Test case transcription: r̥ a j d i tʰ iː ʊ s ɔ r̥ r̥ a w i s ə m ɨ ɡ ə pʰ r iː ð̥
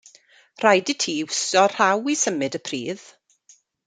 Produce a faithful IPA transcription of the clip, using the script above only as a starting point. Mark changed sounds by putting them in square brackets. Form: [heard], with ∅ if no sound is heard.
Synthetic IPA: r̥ a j d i tʰ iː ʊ s ɔ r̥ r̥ a w i s ə m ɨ [d] ə pʰ r iː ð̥